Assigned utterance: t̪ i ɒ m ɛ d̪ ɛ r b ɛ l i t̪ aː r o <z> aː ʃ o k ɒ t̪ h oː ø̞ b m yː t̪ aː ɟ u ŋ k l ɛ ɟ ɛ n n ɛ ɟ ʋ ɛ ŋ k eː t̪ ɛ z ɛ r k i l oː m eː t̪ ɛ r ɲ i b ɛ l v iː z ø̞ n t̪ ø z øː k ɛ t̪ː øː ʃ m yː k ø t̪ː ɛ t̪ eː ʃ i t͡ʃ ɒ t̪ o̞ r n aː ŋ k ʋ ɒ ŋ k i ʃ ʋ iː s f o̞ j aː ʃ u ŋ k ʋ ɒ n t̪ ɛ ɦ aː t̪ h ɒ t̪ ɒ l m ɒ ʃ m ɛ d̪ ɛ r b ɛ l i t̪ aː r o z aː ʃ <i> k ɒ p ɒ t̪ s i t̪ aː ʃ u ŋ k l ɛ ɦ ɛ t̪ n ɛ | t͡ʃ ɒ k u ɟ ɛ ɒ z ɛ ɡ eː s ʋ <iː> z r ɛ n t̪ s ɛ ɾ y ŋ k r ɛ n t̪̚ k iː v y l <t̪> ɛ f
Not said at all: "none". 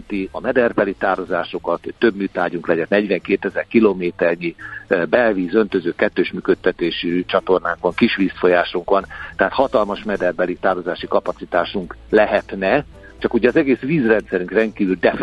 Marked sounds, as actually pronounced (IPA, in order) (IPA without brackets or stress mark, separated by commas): z, i, iː, d̪